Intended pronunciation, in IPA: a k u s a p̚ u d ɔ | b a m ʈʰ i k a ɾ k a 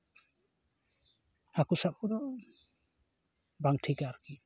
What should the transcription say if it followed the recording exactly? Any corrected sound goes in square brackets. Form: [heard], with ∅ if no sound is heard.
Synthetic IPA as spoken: a k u s a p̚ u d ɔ | b a [ŋ] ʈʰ i k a ɾ k [i]

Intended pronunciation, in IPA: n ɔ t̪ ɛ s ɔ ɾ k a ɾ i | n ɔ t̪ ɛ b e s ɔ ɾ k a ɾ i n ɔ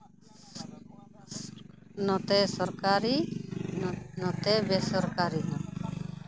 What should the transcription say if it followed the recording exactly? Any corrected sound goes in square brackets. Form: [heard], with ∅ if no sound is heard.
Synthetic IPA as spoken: n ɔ t̪ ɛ s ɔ ɾ k a ɾ i | n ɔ t̪ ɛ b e s ɔ ɾ k a ɾ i n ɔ

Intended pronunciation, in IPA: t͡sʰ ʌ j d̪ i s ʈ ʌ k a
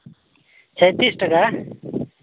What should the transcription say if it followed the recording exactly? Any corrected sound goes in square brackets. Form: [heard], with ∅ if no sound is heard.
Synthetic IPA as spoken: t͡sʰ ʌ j [t̪] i s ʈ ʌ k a

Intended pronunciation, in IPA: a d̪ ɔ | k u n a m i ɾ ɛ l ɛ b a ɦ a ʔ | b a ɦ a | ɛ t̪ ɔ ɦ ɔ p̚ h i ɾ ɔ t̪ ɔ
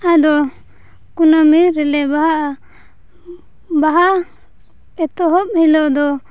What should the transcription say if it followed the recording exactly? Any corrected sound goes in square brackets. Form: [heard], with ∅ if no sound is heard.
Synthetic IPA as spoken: a d̪ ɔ | k u n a m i ɾ ɛ l ɛ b a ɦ a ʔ | b a ɦ a | ɛ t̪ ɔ ɦ ɔ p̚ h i [l] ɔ [d̪] ɔ

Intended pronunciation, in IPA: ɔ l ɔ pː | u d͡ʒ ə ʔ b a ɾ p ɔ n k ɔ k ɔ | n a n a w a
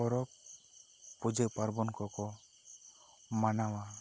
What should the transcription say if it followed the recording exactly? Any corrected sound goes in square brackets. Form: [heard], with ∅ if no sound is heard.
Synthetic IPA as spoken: ɔ [ɾ] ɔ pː | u d͡ʒ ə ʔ [p] a ɾ [b] ɔ n k ɔ k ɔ | [m] a n a w a

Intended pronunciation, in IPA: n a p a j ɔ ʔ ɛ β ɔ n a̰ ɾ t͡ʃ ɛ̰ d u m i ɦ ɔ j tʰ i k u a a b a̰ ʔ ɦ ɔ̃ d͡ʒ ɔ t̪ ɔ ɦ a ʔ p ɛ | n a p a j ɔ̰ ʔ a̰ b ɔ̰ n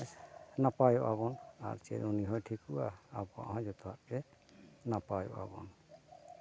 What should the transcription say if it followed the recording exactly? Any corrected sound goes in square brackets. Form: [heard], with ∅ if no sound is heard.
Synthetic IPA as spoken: n a p a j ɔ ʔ [a] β ɔ n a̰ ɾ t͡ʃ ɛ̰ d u [n] i ɦ ɔ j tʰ i k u a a b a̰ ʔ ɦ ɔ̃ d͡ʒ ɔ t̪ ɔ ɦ a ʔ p ɛ | n a p a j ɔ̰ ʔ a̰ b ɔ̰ n

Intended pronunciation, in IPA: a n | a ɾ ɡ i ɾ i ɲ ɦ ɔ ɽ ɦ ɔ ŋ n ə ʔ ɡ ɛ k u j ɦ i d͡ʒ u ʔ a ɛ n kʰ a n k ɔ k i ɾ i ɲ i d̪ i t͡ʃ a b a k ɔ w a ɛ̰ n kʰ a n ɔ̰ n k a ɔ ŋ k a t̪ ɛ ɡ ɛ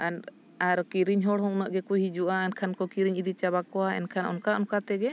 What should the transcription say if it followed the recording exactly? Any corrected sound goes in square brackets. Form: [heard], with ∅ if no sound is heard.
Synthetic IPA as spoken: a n | a ɾ [k] i ɾ i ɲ ɦ ɔ ɽ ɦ ɔ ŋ n ə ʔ ɡ ɛ k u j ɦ i d͡ʒ u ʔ a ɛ n kʰ a n k ɔ k i ɾ i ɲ i d̪ i t͡ʃ a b a k ɔ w a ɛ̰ n kʰ a n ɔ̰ n k a ɔ [n] k a t̪ ɛ ɡ ɛ

